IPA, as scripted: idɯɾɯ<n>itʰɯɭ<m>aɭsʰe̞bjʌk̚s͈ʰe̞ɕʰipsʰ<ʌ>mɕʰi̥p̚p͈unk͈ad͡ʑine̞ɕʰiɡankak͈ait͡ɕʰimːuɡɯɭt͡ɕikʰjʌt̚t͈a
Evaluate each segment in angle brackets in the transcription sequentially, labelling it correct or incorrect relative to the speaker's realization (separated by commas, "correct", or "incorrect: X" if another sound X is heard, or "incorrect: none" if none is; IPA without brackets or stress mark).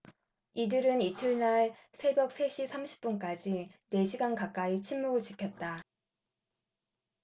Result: correct, incorrect: n, incorrect: a